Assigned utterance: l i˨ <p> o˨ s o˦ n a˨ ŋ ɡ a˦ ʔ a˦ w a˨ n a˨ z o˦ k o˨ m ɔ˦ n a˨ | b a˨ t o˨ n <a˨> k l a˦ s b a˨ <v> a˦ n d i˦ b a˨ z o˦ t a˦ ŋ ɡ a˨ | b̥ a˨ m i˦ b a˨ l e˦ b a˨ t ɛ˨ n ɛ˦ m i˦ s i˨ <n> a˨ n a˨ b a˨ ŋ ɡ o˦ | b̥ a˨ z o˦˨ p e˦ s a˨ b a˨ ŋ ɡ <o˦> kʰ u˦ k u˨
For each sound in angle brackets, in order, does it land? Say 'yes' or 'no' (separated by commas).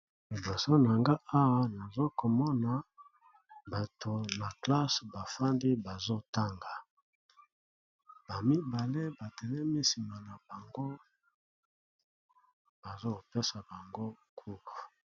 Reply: no, yes, no, no, yes